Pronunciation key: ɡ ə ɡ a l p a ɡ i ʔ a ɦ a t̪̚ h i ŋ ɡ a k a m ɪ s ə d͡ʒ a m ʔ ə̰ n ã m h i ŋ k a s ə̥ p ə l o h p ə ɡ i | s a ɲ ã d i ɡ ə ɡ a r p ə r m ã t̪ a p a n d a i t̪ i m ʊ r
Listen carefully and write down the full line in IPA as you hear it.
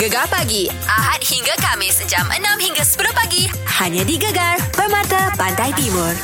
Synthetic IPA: ɡ ə ɡ a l p a ɡ i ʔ a ɦ a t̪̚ h i ŋ ɡ a k a m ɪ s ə d͡ʒ a m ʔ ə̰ n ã m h i ŋ ɡ a s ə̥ p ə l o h p a ɡ i | h a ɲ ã d i ɡ ə ɡ a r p ə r m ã t̪ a p a n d a j t̪ i m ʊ r